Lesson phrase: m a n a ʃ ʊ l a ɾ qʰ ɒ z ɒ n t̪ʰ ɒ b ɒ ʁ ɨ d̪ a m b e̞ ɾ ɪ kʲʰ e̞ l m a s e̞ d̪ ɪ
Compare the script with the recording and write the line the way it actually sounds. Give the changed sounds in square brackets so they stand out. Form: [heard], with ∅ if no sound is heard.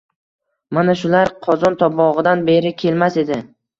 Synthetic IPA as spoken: m a n a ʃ ʊ l a ɾ qʰ ɒ z ɒ n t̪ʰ ɒ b ɒ ʁ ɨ d̪ a [n] b e̞ ɾ ɪ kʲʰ e̞ l m a s e̞ d̪ ɪ